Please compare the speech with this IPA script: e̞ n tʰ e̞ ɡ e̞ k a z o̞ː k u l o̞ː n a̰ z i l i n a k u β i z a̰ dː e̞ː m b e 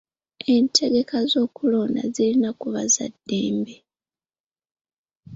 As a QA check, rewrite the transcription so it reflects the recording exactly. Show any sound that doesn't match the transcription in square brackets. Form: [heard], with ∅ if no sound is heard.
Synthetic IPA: e̞ n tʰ e̞ ɡ e̞ k a z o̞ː k u l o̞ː n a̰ z i l i n a k u β [a] z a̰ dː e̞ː m b e